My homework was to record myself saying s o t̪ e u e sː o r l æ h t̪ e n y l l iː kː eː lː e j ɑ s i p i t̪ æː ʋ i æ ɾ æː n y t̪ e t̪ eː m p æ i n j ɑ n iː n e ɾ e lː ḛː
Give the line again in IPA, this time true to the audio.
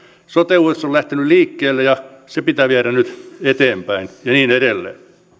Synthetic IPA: s o t̪ e u e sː o l l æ h t̪ e n y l l iː kː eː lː e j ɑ s e p i t̪ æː ʋ i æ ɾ æ n y t̪ e t̪ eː m p æ i n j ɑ n iː n e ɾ e lː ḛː